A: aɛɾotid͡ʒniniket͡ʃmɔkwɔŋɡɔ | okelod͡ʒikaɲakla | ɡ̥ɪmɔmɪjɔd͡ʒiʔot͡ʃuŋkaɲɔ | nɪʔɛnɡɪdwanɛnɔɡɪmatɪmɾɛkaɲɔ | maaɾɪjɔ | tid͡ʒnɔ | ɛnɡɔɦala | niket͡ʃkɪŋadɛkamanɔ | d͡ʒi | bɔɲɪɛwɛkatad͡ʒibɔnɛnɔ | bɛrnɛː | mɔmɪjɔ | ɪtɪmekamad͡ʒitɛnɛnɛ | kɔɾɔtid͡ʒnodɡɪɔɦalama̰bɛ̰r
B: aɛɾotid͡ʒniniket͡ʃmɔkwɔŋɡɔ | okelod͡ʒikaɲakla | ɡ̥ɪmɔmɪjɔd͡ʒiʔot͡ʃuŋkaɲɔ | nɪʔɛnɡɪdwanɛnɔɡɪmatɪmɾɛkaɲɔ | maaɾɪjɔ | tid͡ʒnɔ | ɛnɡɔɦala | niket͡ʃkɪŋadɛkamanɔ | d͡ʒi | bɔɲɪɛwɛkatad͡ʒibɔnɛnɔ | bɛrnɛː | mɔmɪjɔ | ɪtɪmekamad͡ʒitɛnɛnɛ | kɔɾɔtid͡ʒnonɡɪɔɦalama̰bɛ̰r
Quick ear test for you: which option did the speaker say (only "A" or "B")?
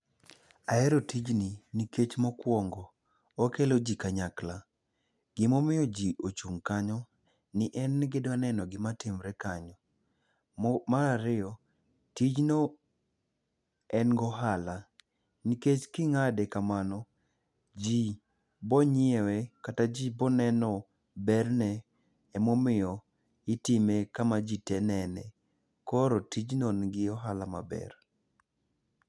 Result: B